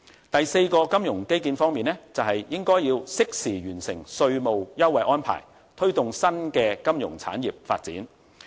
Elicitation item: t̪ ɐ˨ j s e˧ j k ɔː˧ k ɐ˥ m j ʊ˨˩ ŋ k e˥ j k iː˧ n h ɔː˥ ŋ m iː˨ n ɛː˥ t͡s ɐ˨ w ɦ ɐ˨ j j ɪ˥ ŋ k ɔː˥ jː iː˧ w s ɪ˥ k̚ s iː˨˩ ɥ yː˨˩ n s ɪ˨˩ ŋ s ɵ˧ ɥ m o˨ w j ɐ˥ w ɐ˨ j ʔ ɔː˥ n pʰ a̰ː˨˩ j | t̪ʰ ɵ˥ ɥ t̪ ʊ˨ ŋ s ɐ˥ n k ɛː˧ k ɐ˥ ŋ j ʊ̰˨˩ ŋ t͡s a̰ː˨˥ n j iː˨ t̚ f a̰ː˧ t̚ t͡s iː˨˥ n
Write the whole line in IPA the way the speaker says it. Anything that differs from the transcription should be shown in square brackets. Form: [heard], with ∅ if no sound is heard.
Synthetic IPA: t̪ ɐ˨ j s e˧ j k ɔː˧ k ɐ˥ m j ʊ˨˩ ŋ k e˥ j k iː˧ n [f] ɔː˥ ŋ m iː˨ n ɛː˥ t͡s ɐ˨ w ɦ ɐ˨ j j ɪ˥ ŋ k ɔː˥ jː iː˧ w s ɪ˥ k̚ s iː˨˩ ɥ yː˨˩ n s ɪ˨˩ ŋ s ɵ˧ ɥ m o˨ w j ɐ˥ w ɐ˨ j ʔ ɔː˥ n pʰ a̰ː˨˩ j | t̪ʰ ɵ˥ ɥ t̪ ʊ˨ ŋ s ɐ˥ n k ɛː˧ k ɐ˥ [m] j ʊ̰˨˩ ŋ [t͡sʰ] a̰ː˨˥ n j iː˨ [p̚] f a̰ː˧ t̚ t͡s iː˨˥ n